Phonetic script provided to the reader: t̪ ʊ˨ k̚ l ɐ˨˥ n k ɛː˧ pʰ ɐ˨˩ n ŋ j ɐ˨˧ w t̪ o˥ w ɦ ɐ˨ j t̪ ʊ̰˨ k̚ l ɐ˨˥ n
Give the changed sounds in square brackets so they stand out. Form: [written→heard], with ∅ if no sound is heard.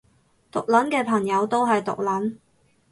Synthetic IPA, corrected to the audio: t̪ ʊ˨ k̚ l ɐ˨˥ n k ɛː˧ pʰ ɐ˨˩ [n→∅] ŋ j ɐ˨˧ w t̪ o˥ w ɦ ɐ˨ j t̪ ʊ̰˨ k̚ l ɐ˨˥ n

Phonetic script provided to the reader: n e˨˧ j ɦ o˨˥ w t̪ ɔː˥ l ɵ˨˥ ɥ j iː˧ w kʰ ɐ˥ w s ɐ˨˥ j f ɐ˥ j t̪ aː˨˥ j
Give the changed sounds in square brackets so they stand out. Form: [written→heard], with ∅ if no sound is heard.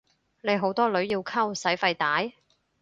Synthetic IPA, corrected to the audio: n e˨˧ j ɦ o˨˥ w t̪ ɔː˥ l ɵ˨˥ ɥ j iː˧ w kʰ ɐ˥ w s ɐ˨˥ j f [ɐ˥→ɐ˧] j t̪ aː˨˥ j

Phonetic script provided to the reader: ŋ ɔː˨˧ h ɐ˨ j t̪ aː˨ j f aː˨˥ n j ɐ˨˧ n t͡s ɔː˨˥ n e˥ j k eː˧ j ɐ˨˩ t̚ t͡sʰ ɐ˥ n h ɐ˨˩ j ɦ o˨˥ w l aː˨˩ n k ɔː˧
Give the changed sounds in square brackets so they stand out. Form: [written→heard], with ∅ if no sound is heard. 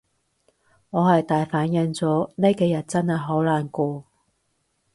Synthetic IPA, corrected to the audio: ŋ ɔː˨˧ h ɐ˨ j t̪ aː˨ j f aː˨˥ n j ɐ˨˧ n t͡s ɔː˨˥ n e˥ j k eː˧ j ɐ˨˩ t̚ [t͡sʰ→t͡s] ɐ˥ n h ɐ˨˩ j ɦ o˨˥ w l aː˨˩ n k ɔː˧

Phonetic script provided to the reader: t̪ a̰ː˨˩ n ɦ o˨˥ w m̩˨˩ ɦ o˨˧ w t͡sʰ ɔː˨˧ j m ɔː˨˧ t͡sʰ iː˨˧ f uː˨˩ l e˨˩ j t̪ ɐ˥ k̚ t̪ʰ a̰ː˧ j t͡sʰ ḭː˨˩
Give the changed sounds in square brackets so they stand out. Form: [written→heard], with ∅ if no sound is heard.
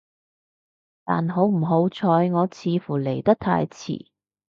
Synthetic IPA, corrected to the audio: t̪ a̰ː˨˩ n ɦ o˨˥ w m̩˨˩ ɦ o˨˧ w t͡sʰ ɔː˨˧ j [m→ŋ] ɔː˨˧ t͡sʰ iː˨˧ f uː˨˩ l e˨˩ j t̪ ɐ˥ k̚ t̪ʰ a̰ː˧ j t͡sʰ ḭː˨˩

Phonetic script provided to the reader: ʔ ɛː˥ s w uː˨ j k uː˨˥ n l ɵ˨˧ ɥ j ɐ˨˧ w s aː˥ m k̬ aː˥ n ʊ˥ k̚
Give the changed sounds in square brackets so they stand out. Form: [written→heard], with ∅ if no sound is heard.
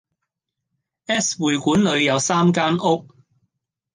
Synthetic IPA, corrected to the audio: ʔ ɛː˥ s w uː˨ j k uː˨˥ n l ɵ˨˧ ɥ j ɐ˨˧ w s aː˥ m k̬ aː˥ n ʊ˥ k̚

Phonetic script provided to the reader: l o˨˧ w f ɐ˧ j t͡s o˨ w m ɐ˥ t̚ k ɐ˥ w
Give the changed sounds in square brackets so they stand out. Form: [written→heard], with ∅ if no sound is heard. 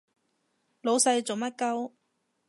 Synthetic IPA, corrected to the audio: l o˨˧ w [f→s] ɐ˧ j t͡s o˨ w m ɐ˥ t̚ k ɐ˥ w

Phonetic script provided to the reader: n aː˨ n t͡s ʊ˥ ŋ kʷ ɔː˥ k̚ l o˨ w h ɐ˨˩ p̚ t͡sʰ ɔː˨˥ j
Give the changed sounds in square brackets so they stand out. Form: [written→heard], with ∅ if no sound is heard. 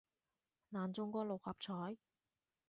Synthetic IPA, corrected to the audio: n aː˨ n t͡s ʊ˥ ŋ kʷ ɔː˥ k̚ l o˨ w h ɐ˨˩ p̚ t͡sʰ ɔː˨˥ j

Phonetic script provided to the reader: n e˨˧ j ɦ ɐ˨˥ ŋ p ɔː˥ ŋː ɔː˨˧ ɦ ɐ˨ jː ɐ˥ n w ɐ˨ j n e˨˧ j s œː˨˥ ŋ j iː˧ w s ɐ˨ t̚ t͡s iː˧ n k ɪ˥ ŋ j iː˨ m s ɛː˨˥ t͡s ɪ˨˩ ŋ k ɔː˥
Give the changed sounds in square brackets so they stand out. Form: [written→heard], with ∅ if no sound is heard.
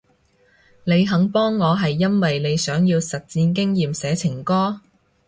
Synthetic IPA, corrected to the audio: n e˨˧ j ɦ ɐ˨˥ ŋ p ɔː˥ ŋː ɔː˨˧ ɦ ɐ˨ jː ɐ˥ n w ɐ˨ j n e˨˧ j s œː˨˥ ŋ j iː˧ w s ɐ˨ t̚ t͡s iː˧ n k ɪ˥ ŋ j iː˨ m s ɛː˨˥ [t͡s→t͡sʰ] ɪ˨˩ ŋ k ɔː˥

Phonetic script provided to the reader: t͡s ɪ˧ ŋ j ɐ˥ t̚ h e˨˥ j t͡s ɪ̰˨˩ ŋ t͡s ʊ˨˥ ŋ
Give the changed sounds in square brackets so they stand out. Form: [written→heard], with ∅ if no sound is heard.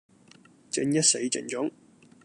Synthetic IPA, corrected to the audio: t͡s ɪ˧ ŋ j ɐ˥ t̚ [h→s] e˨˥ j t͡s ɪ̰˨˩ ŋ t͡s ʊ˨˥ ŋ

